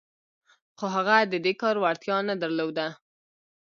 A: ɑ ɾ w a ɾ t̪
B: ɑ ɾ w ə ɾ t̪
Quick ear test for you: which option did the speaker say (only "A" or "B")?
A